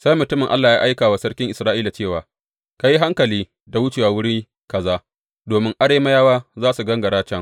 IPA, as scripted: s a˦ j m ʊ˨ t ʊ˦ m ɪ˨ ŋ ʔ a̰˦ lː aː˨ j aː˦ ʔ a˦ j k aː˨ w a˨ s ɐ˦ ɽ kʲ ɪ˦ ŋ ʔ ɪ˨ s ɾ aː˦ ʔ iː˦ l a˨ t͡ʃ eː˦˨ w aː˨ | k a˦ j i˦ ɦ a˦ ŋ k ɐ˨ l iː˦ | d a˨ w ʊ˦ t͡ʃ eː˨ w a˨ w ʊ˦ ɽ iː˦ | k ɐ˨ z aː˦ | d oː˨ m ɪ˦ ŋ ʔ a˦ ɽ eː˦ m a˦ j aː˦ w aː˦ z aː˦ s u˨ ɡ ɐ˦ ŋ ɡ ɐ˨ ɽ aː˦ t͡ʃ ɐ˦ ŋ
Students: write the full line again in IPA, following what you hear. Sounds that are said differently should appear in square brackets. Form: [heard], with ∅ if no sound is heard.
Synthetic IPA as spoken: s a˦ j m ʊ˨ t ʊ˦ m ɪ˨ ŋ ʔ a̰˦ lː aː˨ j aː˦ ʔ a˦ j k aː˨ w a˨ s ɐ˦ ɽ kʲ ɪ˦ ŋ ʔ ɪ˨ s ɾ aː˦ ʔ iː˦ l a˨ t͡ʃ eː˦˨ w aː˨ | k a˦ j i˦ ɦ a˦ ŋ k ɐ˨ l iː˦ | d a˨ w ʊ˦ t͡ʃ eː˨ w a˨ w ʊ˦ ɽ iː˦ | k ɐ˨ z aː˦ | d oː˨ m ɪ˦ ŋ ʔ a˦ ɽ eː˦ m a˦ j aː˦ w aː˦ z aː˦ s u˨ ɡ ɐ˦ ŋ ɡ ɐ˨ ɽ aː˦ t͡ʃ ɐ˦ ŋ